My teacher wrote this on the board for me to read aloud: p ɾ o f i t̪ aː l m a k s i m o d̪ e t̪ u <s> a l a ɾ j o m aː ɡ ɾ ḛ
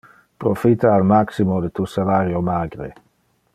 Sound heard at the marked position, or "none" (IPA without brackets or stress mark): s